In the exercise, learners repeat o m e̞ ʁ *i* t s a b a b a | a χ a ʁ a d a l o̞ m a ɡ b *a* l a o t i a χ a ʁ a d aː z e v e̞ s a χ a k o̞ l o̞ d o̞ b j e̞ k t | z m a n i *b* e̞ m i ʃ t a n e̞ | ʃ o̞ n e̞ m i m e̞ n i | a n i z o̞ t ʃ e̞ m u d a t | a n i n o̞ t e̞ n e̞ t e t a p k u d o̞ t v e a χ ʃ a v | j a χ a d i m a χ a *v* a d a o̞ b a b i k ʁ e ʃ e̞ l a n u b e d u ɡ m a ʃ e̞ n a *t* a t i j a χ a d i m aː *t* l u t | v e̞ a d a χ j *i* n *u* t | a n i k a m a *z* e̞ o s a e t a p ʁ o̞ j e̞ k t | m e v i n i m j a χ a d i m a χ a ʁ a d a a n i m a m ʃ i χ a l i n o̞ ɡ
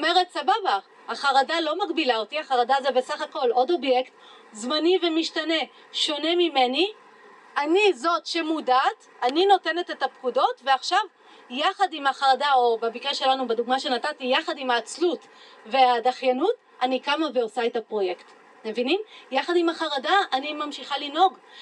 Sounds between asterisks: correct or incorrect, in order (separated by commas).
incorrect, incorrect, incorrect, incorrect, correct, incorrect, incorrect, correct, incorrect